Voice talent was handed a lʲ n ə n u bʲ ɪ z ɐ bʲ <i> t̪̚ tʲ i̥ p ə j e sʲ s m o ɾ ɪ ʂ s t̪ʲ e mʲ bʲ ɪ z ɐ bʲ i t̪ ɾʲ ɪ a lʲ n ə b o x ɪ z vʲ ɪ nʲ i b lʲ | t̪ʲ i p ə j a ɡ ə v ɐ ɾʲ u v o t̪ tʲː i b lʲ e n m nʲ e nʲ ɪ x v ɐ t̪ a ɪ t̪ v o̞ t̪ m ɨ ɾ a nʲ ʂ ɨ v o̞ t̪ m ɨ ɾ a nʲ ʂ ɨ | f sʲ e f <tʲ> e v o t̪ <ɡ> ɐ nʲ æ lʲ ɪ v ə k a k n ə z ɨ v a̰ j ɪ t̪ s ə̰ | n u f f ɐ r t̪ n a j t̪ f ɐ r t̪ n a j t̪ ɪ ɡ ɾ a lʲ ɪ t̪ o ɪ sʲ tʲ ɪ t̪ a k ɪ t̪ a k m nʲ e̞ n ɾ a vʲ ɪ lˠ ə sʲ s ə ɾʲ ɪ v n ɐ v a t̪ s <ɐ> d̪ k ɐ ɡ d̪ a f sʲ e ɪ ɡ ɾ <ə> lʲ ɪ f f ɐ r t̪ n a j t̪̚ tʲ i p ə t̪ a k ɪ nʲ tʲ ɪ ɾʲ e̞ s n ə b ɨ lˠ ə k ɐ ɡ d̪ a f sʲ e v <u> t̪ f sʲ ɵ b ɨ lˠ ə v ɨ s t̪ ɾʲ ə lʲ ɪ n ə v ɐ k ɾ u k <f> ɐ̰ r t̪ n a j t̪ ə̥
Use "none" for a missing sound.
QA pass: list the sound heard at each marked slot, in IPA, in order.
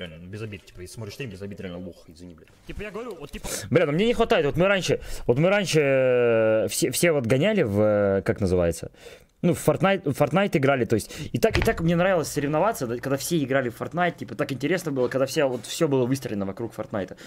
i, sʲ, ɡ, ə, a, o, f

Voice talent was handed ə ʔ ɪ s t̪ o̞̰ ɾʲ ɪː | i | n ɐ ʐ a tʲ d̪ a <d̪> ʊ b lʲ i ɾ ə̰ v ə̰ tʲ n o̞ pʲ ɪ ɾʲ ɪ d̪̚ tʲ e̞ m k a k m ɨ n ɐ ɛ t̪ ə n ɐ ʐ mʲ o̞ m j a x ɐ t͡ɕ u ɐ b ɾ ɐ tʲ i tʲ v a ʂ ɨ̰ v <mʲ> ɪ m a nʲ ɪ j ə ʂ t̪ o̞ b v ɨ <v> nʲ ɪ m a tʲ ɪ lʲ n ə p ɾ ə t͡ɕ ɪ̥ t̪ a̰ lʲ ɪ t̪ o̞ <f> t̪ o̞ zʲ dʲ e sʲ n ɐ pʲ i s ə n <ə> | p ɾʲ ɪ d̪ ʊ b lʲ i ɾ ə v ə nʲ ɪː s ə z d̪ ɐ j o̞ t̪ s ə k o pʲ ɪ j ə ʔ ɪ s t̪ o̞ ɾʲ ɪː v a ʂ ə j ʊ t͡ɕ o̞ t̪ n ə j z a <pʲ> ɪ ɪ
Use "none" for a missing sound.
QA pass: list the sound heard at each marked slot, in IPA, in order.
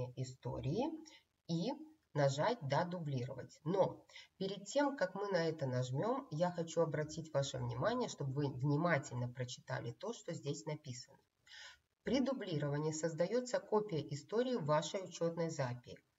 d̪, nʲ, v, ʂ, ə, pʲ

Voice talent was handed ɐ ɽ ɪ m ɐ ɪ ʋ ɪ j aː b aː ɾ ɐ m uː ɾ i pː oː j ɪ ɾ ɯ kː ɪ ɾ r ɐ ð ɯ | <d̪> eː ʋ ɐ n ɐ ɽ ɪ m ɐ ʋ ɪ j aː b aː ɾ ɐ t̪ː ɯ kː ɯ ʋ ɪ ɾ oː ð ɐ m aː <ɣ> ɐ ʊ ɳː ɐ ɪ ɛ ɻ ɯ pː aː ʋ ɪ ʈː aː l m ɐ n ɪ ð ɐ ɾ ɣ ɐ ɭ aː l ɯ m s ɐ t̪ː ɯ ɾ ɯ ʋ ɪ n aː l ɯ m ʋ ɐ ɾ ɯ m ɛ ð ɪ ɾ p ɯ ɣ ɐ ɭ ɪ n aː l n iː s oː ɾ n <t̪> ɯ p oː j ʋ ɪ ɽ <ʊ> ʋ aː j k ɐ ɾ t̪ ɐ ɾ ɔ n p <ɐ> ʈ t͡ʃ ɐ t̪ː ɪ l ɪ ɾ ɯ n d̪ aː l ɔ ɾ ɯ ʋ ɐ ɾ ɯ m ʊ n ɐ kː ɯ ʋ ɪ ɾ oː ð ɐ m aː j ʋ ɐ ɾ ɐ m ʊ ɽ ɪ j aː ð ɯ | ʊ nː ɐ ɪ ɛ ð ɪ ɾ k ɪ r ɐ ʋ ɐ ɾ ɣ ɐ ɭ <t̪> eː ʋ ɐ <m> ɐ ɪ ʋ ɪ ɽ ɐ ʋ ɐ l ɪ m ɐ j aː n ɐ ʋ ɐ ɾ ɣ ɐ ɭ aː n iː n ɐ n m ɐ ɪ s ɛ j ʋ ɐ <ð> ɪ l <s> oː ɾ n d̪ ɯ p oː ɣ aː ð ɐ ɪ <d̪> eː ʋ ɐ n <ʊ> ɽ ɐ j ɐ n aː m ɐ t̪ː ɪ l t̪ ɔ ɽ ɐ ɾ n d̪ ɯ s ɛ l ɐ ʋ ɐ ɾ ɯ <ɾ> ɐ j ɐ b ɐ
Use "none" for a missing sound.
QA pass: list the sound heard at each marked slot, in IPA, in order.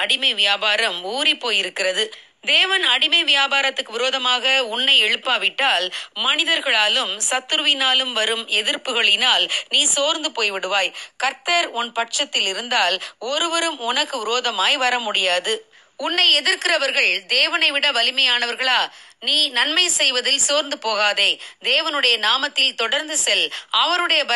d̪, ɣ, d̪, ɯ, ɐ, d̪, n, ð, s, d̪, ɯ, ɽ

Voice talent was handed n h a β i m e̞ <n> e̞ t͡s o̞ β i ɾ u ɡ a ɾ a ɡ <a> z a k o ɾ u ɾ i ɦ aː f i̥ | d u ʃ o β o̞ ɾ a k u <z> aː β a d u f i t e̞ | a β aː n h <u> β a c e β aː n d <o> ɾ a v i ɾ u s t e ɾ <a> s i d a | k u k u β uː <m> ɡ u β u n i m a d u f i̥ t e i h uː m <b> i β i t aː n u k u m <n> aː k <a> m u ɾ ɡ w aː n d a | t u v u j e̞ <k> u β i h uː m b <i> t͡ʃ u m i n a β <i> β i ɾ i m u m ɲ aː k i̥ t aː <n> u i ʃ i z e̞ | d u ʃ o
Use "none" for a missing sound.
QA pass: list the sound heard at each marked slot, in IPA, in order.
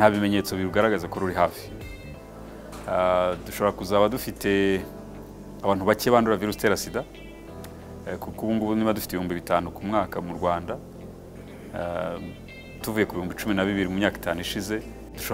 ɲ, a, z, u, u, a, ŋ, b, ŋ, a, k, i, i, n

